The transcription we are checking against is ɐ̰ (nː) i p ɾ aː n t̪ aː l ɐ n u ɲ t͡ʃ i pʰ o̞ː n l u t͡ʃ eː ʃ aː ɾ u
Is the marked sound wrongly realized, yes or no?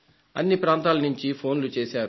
no